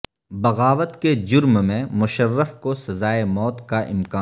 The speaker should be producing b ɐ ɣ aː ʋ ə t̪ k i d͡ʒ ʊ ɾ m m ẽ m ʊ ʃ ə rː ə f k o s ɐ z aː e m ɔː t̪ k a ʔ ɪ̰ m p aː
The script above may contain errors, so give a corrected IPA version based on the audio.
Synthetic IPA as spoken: b ɐ ɣ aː ʋ ə t̪ k e d͡ʒ ʊ ɾ m m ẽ m ʊ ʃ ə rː ə f k o s ɐ z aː e m ɔː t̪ k a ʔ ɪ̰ m k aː